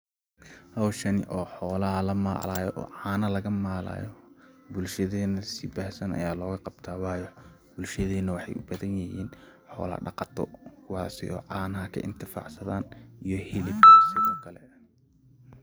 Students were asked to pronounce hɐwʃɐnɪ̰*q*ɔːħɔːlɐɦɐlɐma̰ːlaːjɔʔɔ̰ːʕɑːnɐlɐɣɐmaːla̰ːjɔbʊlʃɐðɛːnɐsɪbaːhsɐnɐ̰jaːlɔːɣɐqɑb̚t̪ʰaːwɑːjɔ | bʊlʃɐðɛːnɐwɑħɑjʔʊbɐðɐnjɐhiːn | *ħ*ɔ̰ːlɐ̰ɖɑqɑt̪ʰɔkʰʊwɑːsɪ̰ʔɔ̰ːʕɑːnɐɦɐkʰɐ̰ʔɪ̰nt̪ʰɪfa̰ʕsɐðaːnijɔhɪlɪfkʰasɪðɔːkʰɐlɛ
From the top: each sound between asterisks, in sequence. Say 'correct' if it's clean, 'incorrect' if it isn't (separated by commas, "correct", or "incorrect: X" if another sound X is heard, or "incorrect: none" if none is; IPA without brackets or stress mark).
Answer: incorrect: ʔ, correct